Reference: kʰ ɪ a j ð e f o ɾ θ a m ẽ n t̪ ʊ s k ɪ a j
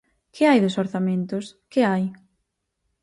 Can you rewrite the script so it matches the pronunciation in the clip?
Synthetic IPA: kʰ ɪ a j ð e s o ɾ θ a m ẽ n t̪ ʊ s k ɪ a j